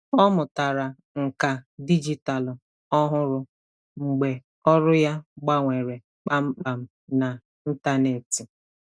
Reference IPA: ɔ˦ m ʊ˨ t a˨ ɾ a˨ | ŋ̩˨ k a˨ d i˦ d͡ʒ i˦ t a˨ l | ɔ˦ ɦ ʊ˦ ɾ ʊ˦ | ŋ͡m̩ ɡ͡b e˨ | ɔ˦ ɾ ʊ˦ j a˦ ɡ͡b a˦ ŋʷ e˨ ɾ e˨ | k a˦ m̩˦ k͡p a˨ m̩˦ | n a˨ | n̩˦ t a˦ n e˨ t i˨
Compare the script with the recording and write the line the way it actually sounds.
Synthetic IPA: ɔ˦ m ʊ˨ t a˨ ɾ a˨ | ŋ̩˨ k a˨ d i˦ d͡ʒ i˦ t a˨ l | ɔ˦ ɦ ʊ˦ ɾ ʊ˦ | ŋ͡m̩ ɡ͡b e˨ | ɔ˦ ɾ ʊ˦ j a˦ ɡ͡b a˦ ŋʷ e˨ ɾ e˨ | k͡p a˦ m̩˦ k͡p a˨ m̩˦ | n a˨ | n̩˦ t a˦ n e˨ t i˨